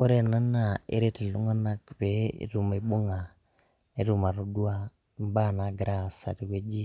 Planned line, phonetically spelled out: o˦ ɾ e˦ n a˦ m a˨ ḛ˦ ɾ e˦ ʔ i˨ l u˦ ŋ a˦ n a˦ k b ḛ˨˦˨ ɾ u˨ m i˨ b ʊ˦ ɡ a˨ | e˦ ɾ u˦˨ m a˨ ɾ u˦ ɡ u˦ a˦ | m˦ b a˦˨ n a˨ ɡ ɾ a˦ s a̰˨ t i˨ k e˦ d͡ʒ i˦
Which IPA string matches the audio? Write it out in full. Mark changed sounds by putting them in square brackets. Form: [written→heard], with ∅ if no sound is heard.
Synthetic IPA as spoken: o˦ ɾ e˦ n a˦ [m→n] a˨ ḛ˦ ɾ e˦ [ʔ→t] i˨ l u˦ ŋ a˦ n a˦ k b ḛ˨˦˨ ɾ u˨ m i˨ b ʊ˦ [ɡ→ŋ] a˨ | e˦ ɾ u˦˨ m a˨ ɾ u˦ [ɡ→d] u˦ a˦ | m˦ b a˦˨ n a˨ ɡ ɾ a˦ s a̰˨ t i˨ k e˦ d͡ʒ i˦